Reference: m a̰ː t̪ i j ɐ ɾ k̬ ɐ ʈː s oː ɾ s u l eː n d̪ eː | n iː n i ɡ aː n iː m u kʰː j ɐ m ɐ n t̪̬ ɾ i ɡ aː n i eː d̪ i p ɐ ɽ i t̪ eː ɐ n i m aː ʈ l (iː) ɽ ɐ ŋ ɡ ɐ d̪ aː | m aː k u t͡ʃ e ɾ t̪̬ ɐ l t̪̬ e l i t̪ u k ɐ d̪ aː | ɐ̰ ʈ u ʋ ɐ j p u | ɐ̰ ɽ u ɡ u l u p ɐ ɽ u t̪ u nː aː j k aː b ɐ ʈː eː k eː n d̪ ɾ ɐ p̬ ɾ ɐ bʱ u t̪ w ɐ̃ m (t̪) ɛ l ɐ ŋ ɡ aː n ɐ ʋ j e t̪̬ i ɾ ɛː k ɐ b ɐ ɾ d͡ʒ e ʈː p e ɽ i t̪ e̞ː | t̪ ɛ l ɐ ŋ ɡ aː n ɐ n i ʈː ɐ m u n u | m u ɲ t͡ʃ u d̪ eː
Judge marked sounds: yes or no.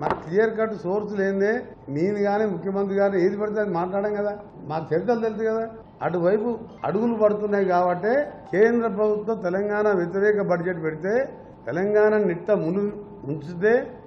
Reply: no, yes

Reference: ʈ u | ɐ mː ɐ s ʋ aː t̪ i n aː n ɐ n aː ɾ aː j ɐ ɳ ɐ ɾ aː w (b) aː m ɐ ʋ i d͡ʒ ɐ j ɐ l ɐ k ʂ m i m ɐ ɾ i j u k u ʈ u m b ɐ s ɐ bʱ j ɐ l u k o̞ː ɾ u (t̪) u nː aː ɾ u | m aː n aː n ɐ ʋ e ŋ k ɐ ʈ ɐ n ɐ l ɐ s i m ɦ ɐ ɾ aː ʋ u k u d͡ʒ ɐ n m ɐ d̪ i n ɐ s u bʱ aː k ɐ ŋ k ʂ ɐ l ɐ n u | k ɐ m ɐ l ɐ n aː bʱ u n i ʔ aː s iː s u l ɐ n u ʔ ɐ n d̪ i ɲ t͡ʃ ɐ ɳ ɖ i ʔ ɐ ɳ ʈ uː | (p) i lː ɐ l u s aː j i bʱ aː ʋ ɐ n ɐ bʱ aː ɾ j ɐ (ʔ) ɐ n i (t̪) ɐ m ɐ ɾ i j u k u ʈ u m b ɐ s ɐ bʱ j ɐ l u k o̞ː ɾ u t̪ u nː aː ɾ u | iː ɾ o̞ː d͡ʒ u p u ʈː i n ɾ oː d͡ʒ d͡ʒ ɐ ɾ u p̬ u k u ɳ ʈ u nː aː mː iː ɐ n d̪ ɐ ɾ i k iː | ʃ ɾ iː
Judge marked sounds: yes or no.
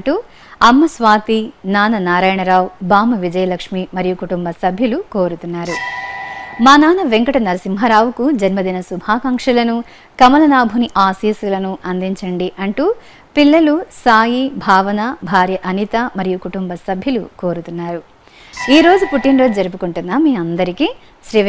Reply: yes, yes, yes, yes, yes

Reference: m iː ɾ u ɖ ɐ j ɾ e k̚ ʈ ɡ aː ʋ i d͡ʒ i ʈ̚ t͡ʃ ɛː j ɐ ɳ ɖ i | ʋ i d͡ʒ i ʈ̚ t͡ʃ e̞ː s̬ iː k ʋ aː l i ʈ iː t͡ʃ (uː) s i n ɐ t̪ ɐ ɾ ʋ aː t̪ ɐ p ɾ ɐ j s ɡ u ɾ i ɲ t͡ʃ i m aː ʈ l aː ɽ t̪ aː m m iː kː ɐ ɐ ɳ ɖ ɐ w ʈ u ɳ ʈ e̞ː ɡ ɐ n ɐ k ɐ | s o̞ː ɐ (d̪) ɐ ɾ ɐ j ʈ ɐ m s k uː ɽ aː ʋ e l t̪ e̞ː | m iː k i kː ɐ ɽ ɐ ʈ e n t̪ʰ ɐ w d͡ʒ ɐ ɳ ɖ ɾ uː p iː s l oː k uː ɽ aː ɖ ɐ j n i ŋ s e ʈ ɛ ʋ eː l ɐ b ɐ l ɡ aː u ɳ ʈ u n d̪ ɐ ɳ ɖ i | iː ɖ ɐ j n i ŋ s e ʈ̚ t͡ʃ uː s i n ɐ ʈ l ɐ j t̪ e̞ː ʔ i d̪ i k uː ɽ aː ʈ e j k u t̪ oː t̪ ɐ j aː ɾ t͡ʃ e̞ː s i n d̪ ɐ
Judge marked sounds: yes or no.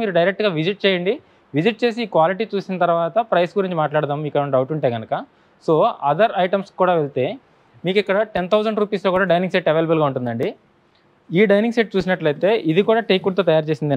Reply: yes, yes

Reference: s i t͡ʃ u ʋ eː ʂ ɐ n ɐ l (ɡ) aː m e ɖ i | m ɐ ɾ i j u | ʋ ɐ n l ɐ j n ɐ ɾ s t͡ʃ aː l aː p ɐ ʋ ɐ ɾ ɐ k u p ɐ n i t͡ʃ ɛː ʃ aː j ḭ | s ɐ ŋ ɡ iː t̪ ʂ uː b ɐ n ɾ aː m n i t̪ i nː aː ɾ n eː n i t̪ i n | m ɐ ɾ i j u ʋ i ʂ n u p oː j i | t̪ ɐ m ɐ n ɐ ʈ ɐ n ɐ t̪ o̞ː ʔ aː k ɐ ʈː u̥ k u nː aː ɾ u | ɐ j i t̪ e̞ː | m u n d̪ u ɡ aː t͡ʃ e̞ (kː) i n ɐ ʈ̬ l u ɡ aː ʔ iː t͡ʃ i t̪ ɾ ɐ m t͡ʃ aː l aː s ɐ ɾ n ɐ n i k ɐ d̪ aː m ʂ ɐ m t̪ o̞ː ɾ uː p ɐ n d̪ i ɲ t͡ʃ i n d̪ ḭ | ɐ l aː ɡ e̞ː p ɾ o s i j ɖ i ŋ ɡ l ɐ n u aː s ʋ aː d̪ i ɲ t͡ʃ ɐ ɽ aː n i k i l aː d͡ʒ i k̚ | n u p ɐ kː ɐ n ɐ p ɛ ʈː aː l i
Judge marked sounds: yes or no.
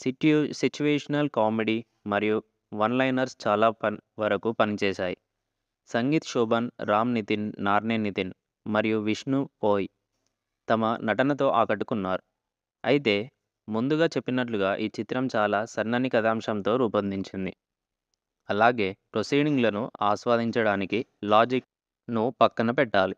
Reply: no, no

